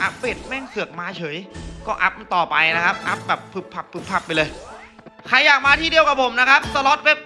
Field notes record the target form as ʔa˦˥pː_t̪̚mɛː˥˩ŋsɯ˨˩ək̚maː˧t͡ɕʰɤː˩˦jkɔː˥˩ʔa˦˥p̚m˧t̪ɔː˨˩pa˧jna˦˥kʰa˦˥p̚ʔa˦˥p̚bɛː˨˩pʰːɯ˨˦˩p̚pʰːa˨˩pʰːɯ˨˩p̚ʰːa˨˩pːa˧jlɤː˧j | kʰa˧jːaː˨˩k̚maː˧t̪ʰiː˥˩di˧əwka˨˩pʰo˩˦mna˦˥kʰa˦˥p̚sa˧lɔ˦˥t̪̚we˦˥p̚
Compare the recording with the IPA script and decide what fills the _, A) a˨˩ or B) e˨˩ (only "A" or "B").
B